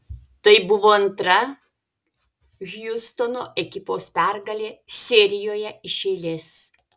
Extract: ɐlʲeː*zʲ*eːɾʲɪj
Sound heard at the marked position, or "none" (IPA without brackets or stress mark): sʲ